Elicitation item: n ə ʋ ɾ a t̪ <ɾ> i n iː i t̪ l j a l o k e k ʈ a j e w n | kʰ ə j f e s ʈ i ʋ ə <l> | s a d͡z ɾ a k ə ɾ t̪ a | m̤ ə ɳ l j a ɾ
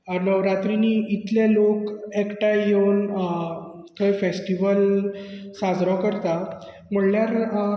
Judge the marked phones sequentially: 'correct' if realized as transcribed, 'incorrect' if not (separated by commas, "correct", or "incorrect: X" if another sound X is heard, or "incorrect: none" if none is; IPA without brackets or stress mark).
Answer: correct, correct